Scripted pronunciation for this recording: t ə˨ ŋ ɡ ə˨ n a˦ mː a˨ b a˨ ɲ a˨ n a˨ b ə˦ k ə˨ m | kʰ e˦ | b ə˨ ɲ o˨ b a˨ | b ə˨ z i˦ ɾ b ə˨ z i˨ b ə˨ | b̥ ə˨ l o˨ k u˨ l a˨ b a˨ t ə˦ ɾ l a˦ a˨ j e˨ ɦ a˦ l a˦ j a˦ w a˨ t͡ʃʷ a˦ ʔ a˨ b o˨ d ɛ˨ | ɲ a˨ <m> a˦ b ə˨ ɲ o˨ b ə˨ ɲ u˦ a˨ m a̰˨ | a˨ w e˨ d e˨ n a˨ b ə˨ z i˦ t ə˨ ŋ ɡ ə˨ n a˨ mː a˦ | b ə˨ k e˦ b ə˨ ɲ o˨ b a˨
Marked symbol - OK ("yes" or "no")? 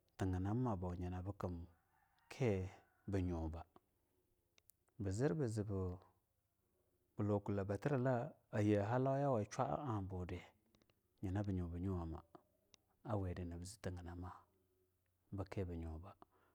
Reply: no